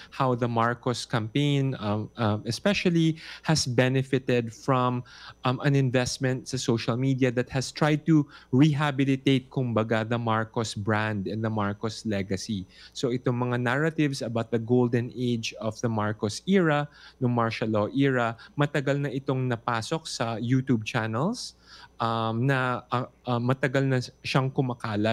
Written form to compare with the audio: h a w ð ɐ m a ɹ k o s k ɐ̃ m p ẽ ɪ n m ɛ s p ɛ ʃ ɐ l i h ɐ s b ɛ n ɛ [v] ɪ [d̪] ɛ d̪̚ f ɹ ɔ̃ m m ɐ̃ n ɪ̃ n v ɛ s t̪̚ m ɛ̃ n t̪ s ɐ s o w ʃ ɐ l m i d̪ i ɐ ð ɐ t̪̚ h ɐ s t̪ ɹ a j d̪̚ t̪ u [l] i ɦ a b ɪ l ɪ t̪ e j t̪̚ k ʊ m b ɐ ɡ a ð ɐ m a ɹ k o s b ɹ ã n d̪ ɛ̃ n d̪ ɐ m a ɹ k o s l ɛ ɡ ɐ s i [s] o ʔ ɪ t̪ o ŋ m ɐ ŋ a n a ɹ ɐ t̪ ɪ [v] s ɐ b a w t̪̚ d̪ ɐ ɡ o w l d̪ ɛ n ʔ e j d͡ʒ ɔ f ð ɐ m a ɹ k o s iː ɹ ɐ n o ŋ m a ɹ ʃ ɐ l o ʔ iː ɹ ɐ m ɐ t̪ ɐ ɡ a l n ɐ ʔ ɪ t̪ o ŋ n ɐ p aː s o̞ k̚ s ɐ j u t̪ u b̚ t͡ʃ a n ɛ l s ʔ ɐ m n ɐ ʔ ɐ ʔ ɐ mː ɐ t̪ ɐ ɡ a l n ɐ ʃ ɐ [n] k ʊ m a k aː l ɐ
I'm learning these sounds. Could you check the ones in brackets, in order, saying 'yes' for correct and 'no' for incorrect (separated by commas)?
no, no, no, yes, yes, no